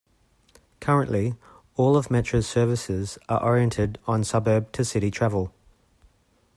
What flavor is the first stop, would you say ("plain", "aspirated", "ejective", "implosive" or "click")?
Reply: aspirated